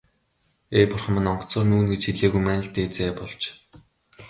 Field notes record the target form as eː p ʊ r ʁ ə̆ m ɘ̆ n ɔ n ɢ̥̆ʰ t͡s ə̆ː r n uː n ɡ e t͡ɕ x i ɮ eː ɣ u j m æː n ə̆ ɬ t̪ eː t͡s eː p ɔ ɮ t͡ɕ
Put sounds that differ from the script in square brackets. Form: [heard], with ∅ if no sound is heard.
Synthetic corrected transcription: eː p ʊ r [χ] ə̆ m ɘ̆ n ɔ [ɴ] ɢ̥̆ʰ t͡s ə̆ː r n uː n ɡ e t͡ɕ x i ɮ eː ɣ u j m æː n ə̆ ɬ t̪ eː t͡s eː p ɔ ɮ t͡ɕ